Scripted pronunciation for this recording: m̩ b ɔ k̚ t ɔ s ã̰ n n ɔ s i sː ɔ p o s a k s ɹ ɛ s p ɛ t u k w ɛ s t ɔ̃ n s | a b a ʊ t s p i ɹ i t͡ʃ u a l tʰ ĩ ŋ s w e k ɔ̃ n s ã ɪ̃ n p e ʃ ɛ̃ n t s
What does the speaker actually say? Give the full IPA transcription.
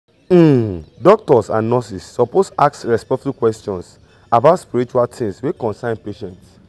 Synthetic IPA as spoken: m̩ d ɔ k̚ t ɔ s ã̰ n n ɔ s i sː ɔ p o s a k s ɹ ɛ s p ɛ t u k w ɛ s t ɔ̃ n s | a b a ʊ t s p i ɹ i t͡ʃ u a l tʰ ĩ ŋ s w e k ɔ̃ n s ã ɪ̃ n p e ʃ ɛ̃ n t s